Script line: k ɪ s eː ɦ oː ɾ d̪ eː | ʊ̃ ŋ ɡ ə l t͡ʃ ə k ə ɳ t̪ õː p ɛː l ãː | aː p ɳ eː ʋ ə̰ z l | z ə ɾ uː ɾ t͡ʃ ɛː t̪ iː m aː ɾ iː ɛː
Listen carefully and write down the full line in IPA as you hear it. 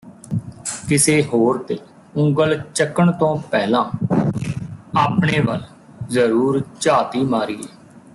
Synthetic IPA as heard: k ɪ s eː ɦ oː ɾ t̪ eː | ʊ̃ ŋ ɡ ə l t͡ʃ ə k ə ɳ t̪ õː p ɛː l ãː | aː p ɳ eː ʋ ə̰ l | z ə ɾ uː ɾ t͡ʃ aː t̪ iː m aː ɾ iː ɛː

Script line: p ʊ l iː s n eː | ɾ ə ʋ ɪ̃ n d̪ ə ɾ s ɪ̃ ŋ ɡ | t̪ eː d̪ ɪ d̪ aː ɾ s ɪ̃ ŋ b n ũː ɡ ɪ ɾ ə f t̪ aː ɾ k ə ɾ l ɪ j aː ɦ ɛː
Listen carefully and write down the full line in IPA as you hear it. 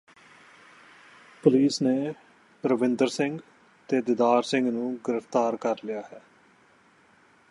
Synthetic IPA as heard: p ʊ l iː s n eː | ɾ ə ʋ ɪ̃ n d̪ ə ɾ s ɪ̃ ŋ ɡ | t̪ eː d̪ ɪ d̪ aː ɾ s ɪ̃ ŋ ɡ n ũː ɡ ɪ ɾ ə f t̪ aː ɾ k ə ɾ l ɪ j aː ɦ ɛː

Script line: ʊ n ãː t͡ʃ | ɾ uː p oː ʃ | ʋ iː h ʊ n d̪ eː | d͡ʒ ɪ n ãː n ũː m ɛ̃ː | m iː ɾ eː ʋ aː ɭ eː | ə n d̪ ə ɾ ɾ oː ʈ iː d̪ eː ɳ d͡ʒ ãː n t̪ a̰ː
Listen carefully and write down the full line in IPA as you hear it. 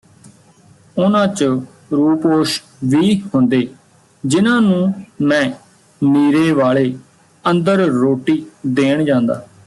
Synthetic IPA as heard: ʊ n ãː t͡ʃ | ɾ uː p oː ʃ | ʋ iː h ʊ n d̪ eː | d͡ʒ ɪ n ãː n ũː m ɛ̃ː | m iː ɾ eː ʋ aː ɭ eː | ə n d̪ ə ɾ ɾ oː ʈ iː d̪ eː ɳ d͡ʒ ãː n d̪ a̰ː

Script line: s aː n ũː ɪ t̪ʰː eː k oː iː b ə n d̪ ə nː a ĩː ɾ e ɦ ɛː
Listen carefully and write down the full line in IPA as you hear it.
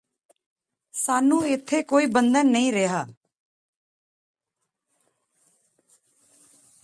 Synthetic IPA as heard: s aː n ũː ɪ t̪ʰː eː k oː iː b ə n d̪ ə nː ə ĩː ɾ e ɦ aː

